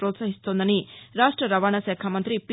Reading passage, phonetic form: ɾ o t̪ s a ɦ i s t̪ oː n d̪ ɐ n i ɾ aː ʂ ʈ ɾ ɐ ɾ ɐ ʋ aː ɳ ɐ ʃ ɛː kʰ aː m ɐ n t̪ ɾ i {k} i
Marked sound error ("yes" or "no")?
yes